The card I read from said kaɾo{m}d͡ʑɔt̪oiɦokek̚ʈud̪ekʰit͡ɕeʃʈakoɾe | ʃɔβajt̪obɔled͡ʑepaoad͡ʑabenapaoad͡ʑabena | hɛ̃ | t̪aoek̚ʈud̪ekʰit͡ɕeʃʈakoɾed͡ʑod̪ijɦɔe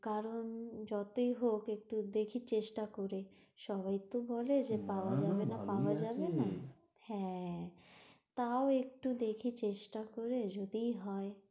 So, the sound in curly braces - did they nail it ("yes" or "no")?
no